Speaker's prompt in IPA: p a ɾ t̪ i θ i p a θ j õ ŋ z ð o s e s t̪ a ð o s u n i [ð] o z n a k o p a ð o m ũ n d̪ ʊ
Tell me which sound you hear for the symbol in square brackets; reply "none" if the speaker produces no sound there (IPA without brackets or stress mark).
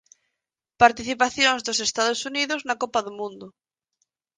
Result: ð